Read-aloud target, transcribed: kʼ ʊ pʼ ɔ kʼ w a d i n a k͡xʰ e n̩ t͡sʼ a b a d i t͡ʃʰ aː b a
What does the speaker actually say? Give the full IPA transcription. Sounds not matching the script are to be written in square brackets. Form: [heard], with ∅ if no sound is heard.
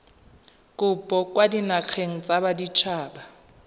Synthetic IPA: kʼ ʊ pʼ ɔ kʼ w a d i n a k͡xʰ e [ŋ̩] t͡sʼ a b a d i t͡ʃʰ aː b a